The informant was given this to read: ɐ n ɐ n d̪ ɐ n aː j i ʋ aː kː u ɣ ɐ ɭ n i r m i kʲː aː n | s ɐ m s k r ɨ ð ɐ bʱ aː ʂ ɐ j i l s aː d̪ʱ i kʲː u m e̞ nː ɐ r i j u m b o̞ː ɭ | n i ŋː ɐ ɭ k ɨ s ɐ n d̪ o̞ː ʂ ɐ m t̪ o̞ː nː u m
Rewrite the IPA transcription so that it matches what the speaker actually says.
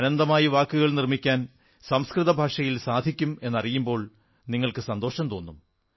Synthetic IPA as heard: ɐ n ɐ n d̪ ɐ m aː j i ʋ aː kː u ɣ ɐ ɭ n i r m i kʲː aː n | s ɐ m s k r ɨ ð ɐ bʱ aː ʂ ɐ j i l s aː d̪ʱ i kʲː u m e̞ nː ɐ r i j u m b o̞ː ɭ | n i ŋː ɐ ɭ k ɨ s ɐ n d̪ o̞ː ʂ ɐ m t̪ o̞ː nː u m

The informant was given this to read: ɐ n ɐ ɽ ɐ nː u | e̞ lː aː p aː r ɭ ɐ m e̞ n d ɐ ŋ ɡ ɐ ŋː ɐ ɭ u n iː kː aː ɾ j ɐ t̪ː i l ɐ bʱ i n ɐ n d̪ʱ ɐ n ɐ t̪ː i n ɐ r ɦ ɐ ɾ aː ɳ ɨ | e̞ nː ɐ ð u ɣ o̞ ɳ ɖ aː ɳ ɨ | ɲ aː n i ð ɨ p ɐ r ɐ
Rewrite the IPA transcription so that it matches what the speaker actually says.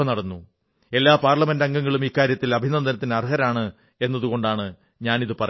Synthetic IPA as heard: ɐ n ɐ ɽ ɐ nː u | e̞ lː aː p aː r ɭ ɐ m e̞ n d ɐ ŋ ɡ ɐ ŋː ɐ ɭ u m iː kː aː ɾ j ɐ t̪ː i l ɐ bʱ i n ɐ n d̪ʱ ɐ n ɐ t̪ː i n ɐ r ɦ ɐ ɾ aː ɳ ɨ | e̞ nː ɐ ð u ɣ o̞ ɳ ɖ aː ɳ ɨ | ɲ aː n i ð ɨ p ɐ r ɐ

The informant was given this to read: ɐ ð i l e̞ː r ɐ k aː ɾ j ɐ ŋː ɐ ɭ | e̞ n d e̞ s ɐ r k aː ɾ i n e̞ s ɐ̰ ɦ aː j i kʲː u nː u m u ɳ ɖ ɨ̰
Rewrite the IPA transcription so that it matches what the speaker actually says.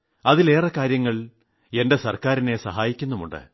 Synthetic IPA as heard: ɐ ð i l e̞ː r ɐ k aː ɾ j ɐ ŋː ɐ ɭ | e̞ n d e̞ s ɐ r k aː ɾ i n e̞ s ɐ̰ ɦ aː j i kʲː u nː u m u ɳ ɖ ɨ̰

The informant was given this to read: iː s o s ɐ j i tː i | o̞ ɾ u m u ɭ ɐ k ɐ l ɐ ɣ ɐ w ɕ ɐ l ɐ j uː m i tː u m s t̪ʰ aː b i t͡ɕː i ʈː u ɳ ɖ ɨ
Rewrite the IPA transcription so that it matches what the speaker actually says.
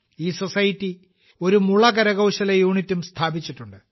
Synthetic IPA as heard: iː s o s ɐ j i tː i | o̞ ɾ u m u ɭ ɐ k ɐ ɾ ɐ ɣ ɐ w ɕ ɐ l ɐ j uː ɳ i tː u m s t̪ʰ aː b i t͡ɕː i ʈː u ɳ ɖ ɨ

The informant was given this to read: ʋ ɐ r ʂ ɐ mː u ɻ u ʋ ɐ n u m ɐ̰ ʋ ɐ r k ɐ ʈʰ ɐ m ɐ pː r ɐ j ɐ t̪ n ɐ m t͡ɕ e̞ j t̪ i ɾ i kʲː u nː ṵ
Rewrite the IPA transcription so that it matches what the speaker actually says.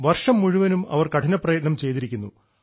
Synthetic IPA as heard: ʋ ɐ r ʂ ɐ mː u ɻ u ʋ ɐ n u m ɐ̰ ʋ ɐ r k ɐ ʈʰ ɐ n ɐ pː r ɐ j ɐ t̪ n ɐ m t͡ɕ e̞ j t̪ i ɾ i kʲː u nː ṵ

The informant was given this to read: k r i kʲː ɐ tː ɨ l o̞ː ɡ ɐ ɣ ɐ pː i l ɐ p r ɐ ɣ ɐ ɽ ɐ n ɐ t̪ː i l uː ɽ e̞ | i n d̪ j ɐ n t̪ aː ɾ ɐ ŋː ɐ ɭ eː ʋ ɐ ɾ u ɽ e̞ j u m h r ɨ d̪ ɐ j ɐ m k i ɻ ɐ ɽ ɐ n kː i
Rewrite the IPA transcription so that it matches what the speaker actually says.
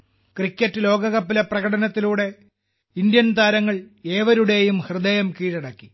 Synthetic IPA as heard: k r i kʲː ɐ tː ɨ l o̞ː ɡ ɐ ɣ ɐ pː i l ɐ p r ɐ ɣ ɐ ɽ ɐ n ɐ t̪ː i l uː ɽ e̞ | i n d̪ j ɐ n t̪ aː ɾ ɐ ŋː ɐ ɭ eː ʋ ɐ ɾ u ɽ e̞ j u m h r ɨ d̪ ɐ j ɐ m k iː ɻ ɐ ɽ ɐ kː i

